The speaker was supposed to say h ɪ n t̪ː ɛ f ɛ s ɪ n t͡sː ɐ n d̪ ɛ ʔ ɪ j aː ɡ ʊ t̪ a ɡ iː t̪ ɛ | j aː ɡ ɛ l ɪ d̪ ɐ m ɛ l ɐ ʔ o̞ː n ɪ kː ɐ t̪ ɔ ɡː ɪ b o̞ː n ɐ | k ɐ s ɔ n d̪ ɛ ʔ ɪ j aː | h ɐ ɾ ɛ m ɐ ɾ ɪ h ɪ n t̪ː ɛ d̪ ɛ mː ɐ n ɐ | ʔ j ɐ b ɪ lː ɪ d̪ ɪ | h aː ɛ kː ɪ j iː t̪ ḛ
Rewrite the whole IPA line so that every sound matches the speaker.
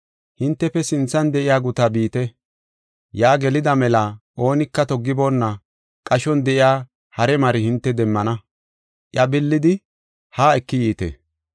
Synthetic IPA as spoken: h ɪ n t̪ː ɛ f ɛ s ɪ n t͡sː ɐ n d̪ ɛ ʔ ɪ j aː ɡ ʊ t̪ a b iː t̪ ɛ | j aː ɡ ɛ l ɪ d̪ ɐ m ɛ l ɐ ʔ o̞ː n ɪ kː ɐ t̪ ɔ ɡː ɪ b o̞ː nː ɐ | kʼ ɐ ʃ ɔ n d̪ ɛ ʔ ɪ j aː | h ɐ ɾ ɛ m ɐ ɾ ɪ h ɪ n t̪ː ɛ d̪ ɛ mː ɐ n ɐ | ʔ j ɐ b ɪ lː ɪ d̪ ɪ | h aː ɛ kː ɪ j iː t̪ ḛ